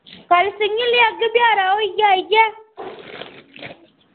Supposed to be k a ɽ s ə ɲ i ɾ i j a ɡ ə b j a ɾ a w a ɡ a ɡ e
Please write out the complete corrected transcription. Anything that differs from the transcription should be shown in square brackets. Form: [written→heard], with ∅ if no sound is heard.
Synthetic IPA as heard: k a [ɽ→l] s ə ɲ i [ɾ→l] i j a ɡ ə b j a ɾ a w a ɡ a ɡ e